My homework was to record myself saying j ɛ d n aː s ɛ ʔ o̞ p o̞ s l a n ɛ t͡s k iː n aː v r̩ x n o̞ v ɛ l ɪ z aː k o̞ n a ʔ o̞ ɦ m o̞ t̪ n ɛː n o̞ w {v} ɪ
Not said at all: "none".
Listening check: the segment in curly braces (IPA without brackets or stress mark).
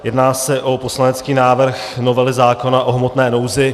z